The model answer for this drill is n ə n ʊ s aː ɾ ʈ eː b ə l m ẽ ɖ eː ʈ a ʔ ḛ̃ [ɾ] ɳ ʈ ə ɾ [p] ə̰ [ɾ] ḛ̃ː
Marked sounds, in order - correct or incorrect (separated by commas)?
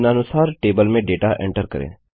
incorrect, incorrect, correct